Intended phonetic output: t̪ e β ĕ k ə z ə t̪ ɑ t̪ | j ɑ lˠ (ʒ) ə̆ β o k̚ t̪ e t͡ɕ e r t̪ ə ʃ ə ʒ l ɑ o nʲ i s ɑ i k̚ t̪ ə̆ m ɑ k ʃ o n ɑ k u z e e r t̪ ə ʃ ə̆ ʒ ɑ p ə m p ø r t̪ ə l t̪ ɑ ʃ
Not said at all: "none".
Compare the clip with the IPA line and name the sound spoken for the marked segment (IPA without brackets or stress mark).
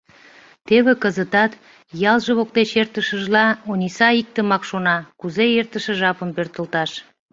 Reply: ʒ